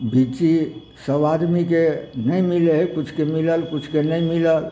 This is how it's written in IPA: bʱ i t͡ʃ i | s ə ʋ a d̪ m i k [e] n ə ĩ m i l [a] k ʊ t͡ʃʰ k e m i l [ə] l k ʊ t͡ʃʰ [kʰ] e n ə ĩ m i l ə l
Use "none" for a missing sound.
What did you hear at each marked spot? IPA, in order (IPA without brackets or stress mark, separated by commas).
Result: e, e, ə, k